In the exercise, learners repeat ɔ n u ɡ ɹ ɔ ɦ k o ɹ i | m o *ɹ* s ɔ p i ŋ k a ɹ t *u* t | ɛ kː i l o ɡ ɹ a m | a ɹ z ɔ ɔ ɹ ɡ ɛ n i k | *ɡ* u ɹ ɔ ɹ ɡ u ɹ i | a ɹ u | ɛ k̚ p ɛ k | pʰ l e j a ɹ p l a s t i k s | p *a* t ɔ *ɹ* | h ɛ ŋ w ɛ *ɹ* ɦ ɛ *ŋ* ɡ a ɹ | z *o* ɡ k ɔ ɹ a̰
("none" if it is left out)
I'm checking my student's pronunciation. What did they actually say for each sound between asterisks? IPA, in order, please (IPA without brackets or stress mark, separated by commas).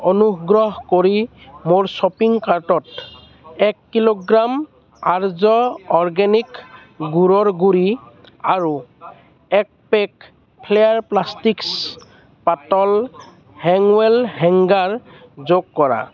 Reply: ɹ, ɔ, ɡ, a, l, l, ŋ, o